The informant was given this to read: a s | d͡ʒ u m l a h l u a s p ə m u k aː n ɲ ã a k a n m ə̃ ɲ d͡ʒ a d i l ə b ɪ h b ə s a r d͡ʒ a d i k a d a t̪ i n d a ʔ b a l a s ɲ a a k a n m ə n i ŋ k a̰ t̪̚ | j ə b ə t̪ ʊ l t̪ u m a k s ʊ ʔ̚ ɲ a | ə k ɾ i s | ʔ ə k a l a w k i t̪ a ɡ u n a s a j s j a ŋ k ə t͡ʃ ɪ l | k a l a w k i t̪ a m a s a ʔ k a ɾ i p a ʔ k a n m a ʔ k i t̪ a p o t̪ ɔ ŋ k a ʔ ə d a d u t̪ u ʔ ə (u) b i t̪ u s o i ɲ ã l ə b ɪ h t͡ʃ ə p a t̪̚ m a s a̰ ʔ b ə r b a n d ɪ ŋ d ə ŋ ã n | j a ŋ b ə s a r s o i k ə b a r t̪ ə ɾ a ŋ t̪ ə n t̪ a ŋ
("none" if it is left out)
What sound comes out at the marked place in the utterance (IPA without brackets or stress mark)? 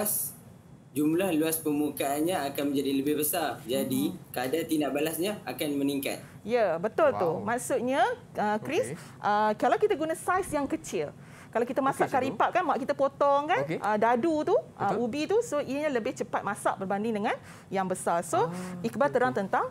u